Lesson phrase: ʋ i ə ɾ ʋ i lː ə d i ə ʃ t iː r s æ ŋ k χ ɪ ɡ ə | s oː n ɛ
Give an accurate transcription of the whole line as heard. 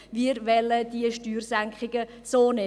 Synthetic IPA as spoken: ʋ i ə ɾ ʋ ɛ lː ə d i ə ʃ t yː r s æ ŋ k χ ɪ ɡ ə | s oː n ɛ